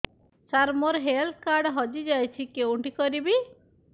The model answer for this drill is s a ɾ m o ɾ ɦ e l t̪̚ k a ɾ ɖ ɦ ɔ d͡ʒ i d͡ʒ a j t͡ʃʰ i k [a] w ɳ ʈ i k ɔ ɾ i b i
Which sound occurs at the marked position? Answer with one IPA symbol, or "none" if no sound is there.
e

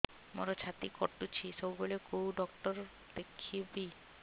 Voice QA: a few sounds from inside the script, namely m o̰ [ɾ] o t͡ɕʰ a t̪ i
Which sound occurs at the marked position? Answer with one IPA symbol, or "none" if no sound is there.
ɾ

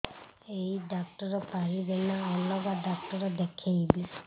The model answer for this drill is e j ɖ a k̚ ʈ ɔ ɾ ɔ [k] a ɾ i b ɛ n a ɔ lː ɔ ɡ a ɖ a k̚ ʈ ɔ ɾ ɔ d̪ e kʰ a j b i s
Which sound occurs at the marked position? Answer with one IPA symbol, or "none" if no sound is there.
p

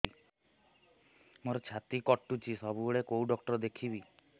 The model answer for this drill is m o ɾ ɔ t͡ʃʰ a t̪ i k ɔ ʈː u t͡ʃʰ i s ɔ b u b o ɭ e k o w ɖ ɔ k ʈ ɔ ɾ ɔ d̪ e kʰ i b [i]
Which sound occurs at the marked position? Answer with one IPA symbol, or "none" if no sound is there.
i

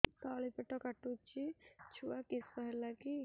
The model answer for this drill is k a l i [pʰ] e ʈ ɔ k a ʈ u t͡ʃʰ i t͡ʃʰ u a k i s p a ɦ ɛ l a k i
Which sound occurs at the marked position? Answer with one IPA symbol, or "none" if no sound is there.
p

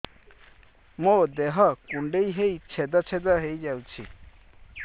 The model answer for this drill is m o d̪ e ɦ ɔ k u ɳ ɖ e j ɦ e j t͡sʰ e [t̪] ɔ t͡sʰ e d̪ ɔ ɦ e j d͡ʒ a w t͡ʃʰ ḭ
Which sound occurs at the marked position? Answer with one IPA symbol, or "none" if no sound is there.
d̪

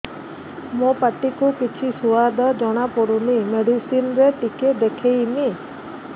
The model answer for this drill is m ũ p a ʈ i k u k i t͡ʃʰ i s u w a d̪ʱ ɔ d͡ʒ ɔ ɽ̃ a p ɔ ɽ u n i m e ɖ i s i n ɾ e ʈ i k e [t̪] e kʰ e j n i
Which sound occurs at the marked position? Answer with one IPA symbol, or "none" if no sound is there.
d̪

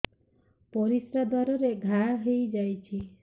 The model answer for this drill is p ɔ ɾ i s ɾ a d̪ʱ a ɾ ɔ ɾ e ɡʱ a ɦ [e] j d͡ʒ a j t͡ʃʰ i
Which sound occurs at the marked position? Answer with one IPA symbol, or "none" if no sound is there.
e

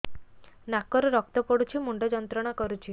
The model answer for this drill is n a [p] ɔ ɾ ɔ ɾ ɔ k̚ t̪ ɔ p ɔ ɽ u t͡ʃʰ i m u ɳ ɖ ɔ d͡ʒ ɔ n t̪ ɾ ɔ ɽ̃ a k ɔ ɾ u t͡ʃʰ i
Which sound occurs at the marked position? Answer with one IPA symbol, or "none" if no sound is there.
k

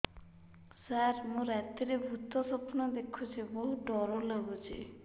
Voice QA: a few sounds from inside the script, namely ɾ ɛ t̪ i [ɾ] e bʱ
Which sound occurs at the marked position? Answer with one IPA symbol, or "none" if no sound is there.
ɾ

